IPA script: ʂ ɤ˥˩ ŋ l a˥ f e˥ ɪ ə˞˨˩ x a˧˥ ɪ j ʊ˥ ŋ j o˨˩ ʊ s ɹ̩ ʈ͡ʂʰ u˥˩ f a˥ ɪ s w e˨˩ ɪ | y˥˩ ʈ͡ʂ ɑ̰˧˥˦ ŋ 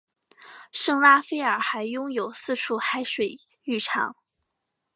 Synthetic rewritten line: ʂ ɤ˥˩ ŋ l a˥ f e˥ ɪ ə˞˨˩ x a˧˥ ɪ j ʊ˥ ŋ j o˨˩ ʊ s ɹ̩ ʈ͡ʂʰ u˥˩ x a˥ ɪ ʂ w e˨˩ ɪ | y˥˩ ʈ͡ʂʰ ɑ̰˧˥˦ ŋ